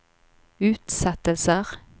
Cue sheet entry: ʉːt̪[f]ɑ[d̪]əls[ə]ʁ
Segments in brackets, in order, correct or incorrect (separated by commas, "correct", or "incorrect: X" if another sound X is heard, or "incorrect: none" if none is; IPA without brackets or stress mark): incorrect: s, incorrect: t̪, correct